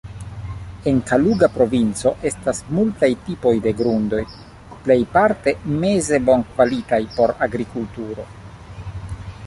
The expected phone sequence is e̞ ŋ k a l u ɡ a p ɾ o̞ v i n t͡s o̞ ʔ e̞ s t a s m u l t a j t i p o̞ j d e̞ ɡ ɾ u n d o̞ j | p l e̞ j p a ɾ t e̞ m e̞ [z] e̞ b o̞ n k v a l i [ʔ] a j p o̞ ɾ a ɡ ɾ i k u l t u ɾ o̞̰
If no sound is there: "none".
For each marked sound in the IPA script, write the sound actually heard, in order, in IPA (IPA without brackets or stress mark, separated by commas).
z, t